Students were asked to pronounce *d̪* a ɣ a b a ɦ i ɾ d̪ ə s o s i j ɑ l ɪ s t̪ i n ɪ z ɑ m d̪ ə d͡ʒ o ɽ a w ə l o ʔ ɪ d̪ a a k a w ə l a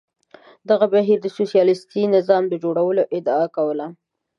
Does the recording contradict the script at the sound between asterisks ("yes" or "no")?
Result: no